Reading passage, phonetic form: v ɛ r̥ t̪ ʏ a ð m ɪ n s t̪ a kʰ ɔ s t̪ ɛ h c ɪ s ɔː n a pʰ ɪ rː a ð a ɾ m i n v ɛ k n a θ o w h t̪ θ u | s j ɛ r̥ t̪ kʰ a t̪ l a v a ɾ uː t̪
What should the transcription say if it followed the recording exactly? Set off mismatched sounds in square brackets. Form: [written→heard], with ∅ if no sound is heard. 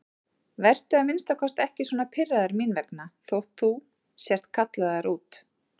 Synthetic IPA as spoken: v ɛ r̥ t̪ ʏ a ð m ɪ n s t̪ a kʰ ɔ s t̪ ɛ h c ɪ s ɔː n a pʰ ɪ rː a ð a ɾ m i n v ɛ k n a θ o w h t̪ θ u | s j ɛ r̥ t̪ kʰ a t̪ l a [v→ð] a ɾ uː t̪